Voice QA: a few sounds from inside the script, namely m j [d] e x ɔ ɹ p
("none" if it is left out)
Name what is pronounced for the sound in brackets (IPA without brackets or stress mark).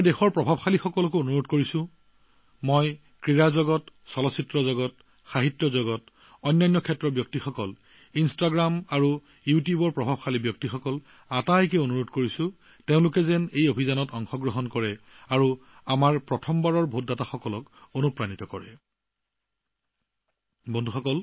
d